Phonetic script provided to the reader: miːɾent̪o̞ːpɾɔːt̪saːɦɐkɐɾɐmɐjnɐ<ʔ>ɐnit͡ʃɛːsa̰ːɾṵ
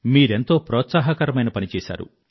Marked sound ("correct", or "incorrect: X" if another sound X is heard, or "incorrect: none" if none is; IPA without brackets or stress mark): incorrect: p